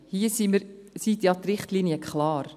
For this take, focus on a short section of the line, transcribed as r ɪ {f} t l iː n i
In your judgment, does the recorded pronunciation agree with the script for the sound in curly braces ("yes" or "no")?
no